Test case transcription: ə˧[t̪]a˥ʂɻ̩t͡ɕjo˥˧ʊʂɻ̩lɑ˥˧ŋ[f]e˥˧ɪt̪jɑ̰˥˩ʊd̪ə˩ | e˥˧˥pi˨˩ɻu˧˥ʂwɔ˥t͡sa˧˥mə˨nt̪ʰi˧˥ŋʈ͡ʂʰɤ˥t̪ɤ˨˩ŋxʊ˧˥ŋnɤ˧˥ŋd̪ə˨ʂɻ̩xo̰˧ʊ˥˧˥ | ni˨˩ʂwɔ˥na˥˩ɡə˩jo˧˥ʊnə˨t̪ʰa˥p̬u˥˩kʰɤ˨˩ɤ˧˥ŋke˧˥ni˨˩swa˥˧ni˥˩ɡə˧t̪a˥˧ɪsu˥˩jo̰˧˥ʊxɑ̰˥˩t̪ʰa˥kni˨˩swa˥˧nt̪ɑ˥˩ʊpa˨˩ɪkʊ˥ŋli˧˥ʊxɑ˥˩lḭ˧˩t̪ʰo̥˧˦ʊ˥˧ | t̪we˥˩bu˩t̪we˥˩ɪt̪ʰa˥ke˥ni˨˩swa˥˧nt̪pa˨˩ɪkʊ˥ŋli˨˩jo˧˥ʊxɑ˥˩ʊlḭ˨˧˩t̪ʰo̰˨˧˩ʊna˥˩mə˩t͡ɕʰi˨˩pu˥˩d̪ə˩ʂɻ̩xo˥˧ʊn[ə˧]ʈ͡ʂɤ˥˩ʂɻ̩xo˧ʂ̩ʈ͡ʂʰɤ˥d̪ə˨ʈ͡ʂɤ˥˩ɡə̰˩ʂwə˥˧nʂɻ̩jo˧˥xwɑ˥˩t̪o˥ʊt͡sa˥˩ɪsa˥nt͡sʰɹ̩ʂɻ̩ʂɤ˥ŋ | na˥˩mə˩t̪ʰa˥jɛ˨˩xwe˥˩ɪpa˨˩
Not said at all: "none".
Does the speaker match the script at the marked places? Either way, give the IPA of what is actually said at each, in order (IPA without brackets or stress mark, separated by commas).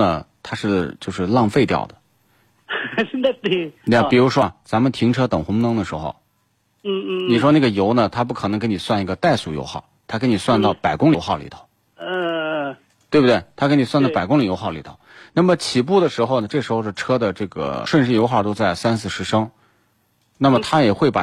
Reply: t̪ʰ, f, ə˩